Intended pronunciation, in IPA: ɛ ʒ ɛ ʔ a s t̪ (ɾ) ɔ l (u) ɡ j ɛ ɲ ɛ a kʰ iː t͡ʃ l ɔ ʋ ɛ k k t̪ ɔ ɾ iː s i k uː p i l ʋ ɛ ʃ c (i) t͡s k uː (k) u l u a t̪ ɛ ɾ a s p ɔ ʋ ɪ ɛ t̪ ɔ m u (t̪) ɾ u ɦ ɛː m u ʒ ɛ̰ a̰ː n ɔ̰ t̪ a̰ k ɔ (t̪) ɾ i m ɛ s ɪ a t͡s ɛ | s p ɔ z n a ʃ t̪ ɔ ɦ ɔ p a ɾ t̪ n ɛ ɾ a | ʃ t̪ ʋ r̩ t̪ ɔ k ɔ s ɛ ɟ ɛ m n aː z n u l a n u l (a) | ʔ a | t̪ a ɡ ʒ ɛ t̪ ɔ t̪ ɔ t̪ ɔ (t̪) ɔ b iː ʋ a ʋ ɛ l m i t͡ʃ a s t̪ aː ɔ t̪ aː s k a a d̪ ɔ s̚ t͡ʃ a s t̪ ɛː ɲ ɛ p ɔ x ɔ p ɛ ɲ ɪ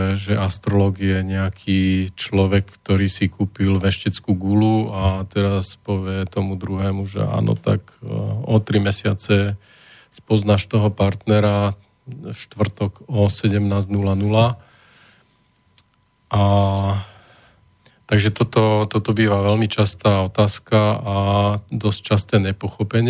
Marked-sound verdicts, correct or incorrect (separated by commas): correct, incorrect, incorrect, incorrect, incorrect, correct, correct, correct